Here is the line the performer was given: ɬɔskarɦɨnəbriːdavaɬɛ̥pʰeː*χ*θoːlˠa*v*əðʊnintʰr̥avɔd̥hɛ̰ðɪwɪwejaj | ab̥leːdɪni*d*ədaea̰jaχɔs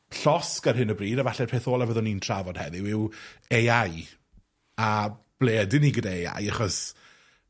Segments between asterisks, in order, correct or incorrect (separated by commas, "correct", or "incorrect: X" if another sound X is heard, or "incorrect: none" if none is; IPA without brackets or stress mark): incorrect: none, correct, incorrect: ɡ